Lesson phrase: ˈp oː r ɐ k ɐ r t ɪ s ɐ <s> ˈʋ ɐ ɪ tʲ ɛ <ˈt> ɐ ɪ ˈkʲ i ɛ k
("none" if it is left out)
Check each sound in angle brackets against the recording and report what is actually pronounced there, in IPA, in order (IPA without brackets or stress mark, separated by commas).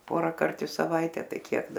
none, t